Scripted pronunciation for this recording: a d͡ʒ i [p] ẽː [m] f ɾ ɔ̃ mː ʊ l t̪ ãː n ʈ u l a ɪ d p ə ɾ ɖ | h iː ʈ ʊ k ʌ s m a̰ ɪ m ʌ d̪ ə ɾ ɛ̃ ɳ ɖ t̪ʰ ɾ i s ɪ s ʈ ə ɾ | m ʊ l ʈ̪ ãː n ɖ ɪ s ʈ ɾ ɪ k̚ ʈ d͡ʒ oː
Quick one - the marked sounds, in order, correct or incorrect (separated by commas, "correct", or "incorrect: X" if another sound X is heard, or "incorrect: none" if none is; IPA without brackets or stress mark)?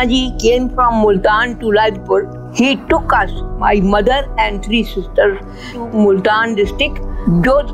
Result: incorrect: k, correct